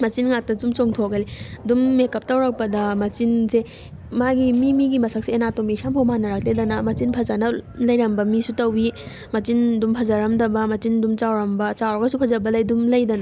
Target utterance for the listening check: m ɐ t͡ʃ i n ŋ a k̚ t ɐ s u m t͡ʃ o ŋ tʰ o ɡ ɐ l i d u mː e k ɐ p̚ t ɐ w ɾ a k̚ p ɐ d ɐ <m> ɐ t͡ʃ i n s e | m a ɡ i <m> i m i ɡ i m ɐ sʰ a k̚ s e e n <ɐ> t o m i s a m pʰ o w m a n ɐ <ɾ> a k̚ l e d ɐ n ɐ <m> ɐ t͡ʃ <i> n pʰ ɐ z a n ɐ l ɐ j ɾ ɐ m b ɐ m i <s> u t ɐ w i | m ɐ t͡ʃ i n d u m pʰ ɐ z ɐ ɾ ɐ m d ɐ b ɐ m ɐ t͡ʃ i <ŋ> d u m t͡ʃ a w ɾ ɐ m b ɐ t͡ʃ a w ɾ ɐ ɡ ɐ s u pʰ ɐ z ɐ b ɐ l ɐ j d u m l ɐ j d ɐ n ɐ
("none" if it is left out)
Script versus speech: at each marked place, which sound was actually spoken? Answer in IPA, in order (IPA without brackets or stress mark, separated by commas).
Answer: m, m, a, ɾ, m, i, s, n